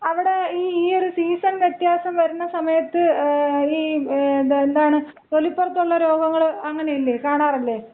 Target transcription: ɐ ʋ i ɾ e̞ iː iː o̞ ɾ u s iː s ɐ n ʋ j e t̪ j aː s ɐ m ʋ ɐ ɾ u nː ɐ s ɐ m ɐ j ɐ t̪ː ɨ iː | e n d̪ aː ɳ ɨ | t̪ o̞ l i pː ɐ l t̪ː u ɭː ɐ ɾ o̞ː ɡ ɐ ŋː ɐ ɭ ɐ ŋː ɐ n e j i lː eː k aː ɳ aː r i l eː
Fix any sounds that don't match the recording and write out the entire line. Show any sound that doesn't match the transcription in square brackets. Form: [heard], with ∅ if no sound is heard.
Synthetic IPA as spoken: ɐ ʋ i [ɽ] e̞ iː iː o̞ ɾ u s iː s ɐ n ʋ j e t̪ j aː s ɐ m ʋ ɐ ɾ u nː ɐ s ɐ m ɐ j ɐ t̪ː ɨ iː | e n d̪ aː ɳ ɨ | t̪ o̞ l i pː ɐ [r] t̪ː u ɭː ɐ ɾ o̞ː ɡ ɐ ŋː ɐ ɭ ɐ ŋː ɐ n e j i lː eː k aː ɳ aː r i [lː] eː